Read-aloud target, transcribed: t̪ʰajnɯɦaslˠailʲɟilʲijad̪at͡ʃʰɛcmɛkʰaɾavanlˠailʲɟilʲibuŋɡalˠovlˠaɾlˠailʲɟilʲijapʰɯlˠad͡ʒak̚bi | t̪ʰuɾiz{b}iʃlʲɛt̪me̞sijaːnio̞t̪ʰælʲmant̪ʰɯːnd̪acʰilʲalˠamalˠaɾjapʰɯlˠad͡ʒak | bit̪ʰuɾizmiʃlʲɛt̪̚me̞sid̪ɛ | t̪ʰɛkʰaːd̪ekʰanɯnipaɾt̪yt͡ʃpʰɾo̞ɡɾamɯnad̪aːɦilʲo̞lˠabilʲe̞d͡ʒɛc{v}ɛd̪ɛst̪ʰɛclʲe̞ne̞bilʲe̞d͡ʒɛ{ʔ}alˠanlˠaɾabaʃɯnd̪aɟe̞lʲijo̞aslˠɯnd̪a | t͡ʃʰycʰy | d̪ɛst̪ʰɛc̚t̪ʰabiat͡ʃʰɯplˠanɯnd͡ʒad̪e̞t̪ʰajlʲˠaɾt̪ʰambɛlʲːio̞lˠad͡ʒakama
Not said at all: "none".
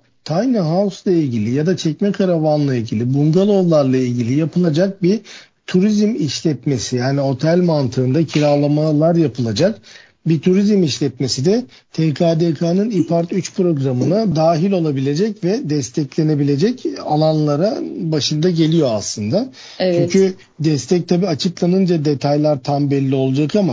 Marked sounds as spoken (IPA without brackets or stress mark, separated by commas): m, v, c